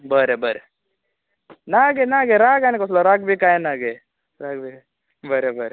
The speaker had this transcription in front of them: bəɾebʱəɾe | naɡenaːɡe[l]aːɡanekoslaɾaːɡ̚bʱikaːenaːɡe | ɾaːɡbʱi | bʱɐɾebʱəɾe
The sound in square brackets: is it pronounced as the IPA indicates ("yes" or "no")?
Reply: no